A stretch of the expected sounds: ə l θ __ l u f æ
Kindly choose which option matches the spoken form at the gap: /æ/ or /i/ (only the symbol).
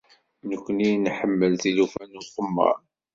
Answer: i